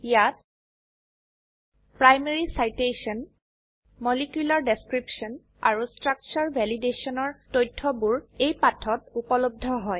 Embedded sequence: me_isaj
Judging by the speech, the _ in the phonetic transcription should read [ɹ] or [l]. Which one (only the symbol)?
ɹ